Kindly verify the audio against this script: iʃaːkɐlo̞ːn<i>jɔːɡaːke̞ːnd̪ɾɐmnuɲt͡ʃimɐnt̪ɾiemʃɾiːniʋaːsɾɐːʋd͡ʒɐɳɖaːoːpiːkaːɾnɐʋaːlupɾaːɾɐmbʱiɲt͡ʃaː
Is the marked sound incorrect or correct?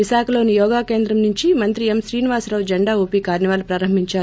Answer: correct